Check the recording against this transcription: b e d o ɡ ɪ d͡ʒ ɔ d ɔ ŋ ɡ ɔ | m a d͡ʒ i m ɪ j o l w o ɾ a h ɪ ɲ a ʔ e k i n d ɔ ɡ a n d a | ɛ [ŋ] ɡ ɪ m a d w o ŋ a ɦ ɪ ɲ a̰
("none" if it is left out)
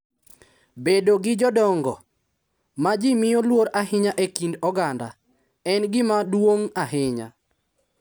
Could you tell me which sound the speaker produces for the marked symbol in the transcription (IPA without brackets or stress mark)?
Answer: n